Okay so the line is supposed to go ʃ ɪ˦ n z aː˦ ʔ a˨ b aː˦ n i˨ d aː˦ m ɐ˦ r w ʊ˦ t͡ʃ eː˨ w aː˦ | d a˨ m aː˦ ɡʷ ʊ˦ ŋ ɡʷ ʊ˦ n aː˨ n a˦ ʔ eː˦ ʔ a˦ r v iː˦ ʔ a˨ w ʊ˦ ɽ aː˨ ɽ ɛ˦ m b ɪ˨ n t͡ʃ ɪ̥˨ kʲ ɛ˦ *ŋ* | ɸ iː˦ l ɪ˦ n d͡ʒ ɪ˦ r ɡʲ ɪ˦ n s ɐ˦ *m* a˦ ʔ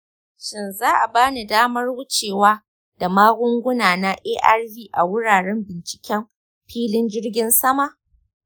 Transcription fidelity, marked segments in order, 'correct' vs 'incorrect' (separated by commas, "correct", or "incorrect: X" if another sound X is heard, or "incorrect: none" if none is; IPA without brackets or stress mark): incorrect: m, correct